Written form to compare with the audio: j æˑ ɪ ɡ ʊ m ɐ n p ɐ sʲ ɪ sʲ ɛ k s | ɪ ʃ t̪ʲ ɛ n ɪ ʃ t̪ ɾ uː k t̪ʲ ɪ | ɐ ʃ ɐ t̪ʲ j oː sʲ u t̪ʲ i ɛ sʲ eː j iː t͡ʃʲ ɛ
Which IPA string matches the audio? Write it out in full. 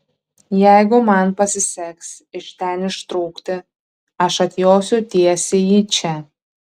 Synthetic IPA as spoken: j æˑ ɪ ɡ ʊ m ɐ n p ɐ sʲ ɪ sʲ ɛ k s | ɪ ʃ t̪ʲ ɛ n ɪ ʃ t̪ ɾ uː k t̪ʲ ɪ | ɐ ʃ ɐ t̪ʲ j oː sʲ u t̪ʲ i ɛ sʲ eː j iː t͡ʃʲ ɛ